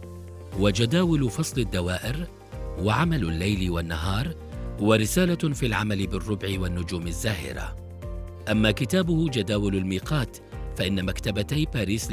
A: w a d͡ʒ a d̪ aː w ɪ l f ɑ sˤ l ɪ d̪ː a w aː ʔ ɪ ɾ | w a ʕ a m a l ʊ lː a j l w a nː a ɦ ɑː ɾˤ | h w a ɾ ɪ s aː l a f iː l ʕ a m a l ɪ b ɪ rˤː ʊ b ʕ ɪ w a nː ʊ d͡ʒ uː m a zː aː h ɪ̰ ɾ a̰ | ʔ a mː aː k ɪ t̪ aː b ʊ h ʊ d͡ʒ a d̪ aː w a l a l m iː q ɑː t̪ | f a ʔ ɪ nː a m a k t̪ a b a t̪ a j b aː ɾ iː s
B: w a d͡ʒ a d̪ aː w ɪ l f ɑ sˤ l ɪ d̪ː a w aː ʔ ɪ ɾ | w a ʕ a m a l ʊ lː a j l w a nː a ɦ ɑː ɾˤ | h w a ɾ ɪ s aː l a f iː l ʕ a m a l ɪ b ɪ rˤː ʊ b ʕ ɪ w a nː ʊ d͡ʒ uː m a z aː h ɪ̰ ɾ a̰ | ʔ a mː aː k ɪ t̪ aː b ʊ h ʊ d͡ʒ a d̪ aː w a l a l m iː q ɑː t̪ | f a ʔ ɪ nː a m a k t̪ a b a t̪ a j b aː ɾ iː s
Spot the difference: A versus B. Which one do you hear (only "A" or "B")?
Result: A